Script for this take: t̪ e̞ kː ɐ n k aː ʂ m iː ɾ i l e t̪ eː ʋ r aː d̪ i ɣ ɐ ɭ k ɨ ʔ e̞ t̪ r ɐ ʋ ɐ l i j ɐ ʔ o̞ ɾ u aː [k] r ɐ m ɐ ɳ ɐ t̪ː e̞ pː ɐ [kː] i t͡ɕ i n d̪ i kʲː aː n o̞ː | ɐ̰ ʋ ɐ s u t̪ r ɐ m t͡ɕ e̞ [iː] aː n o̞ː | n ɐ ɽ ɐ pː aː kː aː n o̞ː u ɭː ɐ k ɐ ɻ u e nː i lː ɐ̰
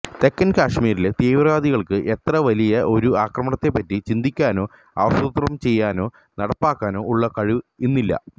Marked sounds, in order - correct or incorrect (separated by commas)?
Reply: correct, incorrect, incorrect